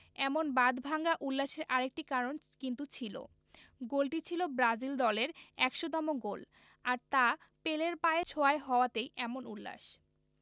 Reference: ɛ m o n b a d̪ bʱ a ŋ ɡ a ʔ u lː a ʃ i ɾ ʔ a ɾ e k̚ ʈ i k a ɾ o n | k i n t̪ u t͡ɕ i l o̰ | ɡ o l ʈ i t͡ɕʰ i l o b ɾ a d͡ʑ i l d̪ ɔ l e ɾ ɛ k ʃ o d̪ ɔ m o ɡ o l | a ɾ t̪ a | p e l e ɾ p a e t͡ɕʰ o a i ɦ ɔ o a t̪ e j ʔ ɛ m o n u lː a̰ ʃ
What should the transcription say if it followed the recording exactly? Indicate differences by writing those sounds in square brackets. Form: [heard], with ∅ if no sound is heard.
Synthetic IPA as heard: ɛ m o n b a d̪ bʱ a ŋ ɡ a ʔ u lː a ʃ [e] ɾ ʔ a ɾ e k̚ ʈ i k a ɾ o n | k i n t̪ u [t͡ɕʰ] i l o̰ | ɡ o l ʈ i t͡ɕʰ i l o b ɾ a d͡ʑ i l d̪ ɔ l e ɾ ɛ k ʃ o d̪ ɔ m o ɡ o l | a ɾ t̪ a | p e l e ɾ p a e t͡ɕʰ o a [e] ɦ ɔ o a t̪ e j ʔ ɛ m o n u lː a̰ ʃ